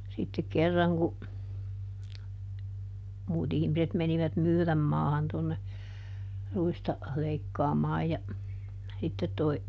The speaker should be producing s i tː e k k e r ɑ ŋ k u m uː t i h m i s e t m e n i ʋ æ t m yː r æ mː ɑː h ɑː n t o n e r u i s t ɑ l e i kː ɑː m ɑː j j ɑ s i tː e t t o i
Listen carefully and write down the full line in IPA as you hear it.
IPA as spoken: s i tː e k k e rː ɑ ŋ k u m uː t i h m i s e t m e n i ʋ æ t m yː r æ mː ɑː h ɑ n t o nː e r u i s t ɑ l e i kː ɑː m ɑː j j ɑ s i tː e t t o i